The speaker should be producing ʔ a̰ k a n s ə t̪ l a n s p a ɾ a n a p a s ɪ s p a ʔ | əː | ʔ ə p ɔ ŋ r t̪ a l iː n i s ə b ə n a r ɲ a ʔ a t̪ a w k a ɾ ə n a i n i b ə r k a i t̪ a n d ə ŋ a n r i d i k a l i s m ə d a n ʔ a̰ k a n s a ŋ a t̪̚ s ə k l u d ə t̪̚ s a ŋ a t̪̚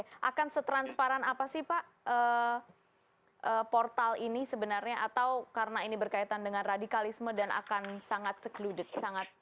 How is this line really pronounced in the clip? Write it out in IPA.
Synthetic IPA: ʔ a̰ k a n s ə t̪ ɾ a n s p a ɾ a n a p a s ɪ h p a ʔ | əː | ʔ ə p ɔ r t̪ a l i n i s ə b ə n a r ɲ a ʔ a t̪ a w k a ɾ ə n a i n i b ə r k a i t̪ a n d ə ŋ a n r a d i k a l i s m ə d a n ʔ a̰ k a n s a ŋ a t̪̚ s ə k l u d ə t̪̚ s a ŋ a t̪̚